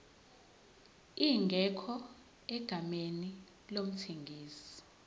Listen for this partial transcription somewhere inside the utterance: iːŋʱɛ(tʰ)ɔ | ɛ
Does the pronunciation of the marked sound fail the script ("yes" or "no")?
yes